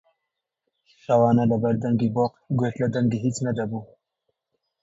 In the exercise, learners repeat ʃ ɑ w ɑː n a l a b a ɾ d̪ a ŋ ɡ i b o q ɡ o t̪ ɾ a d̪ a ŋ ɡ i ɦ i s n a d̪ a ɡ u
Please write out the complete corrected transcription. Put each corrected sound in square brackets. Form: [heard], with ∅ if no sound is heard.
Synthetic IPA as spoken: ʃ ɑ w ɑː n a l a b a ɾ d̪ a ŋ ɡ i b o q ɡ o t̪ [l] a d̪ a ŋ ɡ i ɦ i [t͡s] n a d̪ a [b] u